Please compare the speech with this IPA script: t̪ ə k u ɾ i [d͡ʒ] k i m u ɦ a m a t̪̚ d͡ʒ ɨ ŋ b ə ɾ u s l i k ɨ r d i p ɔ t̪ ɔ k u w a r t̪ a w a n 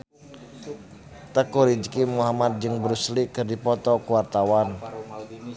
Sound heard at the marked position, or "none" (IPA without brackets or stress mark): d͡ʒ